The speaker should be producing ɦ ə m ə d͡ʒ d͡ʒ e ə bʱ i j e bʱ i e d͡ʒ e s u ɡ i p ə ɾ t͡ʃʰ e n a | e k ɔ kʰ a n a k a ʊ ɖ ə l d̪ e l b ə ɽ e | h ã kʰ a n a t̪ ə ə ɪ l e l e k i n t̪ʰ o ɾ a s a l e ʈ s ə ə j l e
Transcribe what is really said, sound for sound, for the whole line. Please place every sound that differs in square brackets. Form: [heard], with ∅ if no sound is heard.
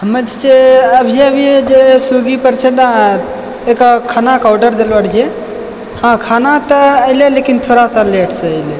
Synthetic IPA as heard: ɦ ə m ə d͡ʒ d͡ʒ e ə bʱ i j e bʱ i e d͡ʒ e s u ɡ i p ə ɾ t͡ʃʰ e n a | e k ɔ kʰ a n a k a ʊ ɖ ə [ɾ] d̪ e l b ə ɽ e | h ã kʰ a n a t̪ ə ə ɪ l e l e k i n t̪ʰ o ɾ a s a l e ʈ s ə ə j l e